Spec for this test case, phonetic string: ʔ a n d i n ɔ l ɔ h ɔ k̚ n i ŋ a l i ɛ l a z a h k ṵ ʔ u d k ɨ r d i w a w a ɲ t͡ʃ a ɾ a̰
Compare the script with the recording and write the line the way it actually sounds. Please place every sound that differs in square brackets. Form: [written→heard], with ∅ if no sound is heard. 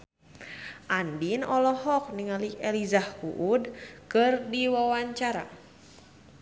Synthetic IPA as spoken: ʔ a n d i n ɔ l ɔ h ɔ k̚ n i ŋ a l i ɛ l [a→i] z a h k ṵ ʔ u d k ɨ r d i w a w a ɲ t͡ʃ a ɾ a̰

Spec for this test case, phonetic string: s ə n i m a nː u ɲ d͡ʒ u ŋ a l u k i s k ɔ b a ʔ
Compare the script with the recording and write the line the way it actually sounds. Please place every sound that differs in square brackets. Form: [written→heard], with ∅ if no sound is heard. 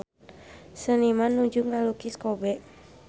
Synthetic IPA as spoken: s ə n i m a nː u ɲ d͡ʒ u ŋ a l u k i s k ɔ b [a→ɛ] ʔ

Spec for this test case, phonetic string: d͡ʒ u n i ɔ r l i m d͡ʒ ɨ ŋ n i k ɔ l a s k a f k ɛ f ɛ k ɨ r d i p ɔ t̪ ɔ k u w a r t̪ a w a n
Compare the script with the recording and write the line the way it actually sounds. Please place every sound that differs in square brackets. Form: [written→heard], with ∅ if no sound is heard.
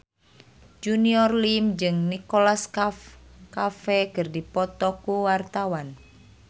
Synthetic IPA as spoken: d͡ʒ u n i ɔ r l i m d͡ʒ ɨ ŋ n i k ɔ l a s k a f k [ɛ→a] f ɛ k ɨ r d i p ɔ t̪ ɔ k u w a r t̪ a w a n

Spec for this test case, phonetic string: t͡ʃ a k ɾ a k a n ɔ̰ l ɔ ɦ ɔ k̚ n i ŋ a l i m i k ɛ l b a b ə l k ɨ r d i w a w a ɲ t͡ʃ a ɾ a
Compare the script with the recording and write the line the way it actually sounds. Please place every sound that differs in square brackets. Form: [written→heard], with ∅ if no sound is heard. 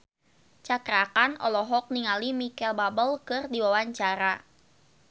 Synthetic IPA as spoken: t͡ʃ a k ɾ a k a n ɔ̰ l ɔ ɦ ɔ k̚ n i ŋ a l i m i k ɛ l b a b ə l k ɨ r d i w a w a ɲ t͡ʃ a ɾ a

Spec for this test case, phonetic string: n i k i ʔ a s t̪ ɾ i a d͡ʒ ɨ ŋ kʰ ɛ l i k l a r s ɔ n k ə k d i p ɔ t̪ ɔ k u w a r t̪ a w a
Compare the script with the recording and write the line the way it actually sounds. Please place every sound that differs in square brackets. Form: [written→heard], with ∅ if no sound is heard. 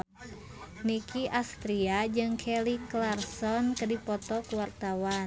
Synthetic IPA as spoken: n i k i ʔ a s t̪ ɾ i a d͡ʒ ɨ ŋ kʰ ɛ l i k l a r s ɔ n k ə [k→∅] d i p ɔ t̪ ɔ k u w a r t̪ a w a

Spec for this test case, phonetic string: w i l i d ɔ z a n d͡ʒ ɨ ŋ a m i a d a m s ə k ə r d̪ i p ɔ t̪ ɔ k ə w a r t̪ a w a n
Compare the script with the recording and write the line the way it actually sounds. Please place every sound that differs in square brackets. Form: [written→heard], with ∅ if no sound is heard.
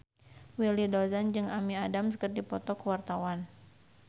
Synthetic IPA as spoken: w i l i d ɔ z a n d͡ʒ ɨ ŋ a m i a d a m s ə k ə r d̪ i p ɔ t̪ ɔ k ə w a r t̪ a w a n

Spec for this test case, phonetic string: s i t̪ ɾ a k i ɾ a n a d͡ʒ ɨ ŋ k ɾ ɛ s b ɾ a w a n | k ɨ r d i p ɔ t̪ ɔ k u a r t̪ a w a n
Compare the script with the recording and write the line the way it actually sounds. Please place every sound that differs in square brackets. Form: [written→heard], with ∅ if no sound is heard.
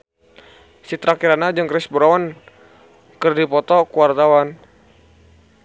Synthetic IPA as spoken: s i t̪ ɾ a k i ɾ a n a d͡ʒ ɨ ŋ k ɾ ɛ s b ɾ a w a n | k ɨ r d i p ɔ t̪ ɔ k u a r t̪ a w a n

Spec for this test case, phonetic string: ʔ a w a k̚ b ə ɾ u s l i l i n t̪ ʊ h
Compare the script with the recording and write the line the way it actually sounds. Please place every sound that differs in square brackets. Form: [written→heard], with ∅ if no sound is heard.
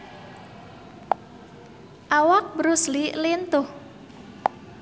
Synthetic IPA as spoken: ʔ a w a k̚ b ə ɾ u s l i l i n t̪ ʊ h

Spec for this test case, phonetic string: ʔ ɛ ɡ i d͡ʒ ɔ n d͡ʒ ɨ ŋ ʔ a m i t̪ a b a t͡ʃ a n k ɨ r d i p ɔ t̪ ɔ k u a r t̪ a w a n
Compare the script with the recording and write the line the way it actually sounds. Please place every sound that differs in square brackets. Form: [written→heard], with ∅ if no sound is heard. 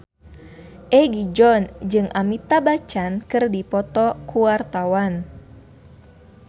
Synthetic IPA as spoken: ʔ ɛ ɡ i d͡ʒ ɔ n d͡ʒ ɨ ŋ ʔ a m i t̪ a b a t͡ʃ a n k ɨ r d i p ɔ t̪ ɔ k u a r t̪ a w a n

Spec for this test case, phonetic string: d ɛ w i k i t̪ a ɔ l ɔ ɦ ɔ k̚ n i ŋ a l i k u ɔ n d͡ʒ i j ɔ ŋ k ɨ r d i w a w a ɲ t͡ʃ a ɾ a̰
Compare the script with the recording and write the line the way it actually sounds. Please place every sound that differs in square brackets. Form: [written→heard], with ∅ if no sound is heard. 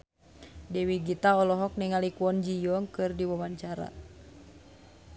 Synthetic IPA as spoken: d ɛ w i [k→ɡ] i t̪ a ɔ l ɔ ɦ ɔ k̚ n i ŋ a l i k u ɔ n d͡ʒ i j ɔ ŋ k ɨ r d i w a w a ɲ t͡ʃ a ɾ a̰

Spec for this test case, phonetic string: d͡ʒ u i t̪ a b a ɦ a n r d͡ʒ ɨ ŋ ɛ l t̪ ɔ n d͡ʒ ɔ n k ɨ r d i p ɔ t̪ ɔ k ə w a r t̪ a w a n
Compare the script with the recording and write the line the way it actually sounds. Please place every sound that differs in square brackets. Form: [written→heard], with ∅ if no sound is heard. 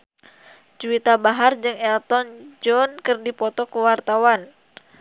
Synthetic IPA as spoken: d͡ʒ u i t̪ a b a ɦ a [n→∅] r d͡ʒ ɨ ŋ ɛ l t̪ ɔ n d͡ʒ ɔ n k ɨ r d i p ɔ t̪ ɔ k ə w a r t̪ a w a n

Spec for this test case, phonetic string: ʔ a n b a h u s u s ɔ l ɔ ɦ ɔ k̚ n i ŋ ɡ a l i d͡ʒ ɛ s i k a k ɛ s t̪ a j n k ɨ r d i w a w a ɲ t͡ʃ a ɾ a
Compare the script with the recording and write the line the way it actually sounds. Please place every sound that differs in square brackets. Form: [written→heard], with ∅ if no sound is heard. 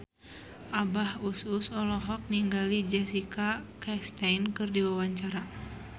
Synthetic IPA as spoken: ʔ a [n→∅] b a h u s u s ɔ l ɔ ɦ ɔ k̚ n i ŋ ɡ a l i d͡ʒ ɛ s i k a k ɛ s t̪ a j n k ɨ r d i w a w a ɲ t͡ʃ a ɾ a

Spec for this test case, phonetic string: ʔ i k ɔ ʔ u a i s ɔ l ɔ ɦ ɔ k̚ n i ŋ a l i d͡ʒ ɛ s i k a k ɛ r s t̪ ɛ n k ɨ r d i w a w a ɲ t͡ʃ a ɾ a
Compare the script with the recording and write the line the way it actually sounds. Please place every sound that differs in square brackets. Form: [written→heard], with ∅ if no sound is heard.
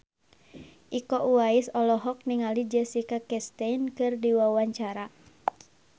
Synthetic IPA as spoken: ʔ i k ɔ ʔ u a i s ɔ l ɔ ɦ ɔ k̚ n i ŋ a l i d͡ʒ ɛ s i k a k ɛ [r→∅] s t̪ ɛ n k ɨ r d i w a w a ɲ t͡ʃ a ɾ a

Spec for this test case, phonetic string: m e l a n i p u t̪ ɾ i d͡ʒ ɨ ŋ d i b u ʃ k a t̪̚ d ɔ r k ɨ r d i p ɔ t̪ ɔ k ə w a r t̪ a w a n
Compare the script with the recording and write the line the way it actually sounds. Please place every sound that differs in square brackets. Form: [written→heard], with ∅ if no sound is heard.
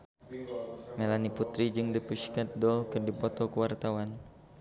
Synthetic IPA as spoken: m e l a n i p u t̪ ɾ i d͡ʒ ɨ ŋ d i [b→p] u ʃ k a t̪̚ d ɔ [r→l] k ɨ r d i p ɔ t̪ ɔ k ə w a r t̪ a w a n

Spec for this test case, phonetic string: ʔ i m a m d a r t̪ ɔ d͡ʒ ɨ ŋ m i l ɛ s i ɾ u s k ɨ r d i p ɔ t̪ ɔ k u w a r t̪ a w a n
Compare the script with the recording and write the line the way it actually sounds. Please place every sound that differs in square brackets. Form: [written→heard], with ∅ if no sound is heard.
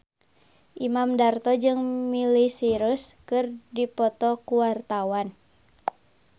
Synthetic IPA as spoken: ʔ i m a m d a r t̪ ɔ d͡ʒ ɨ ŋ m i l [ɛ→i] s i ɾ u s k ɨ r d i p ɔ t̪ ɔ k u w a r t̪ a w a n

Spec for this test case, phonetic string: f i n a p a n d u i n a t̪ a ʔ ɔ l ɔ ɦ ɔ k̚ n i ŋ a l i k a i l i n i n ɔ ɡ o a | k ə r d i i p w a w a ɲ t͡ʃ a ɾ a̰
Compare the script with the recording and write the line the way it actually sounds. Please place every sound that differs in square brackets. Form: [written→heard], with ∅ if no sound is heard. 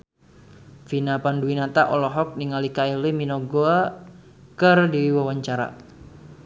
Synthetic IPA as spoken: f i n a p a n d u i n a t̪ a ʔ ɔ l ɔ ɦ ɔ k̚ n i ŋ a l i k a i l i [n→m] i n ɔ ɡ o a | k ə r d i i [p→∅] w a w a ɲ t͡ʃ a ɾ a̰

